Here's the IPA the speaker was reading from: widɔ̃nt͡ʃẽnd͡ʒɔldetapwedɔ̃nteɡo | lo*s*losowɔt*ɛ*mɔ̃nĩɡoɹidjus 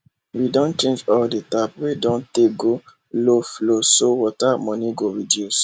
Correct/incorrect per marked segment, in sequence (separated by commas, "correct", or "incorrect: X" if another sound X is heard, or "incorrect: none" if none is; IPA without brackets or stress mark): incorrect: f, incorrect: a